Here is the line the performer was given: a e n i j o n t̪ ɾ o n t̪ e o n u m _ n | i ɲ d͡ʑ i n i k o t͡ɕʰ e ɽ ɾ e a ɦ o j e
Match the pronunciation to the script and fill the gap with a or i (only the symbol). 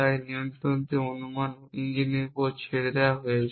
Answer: a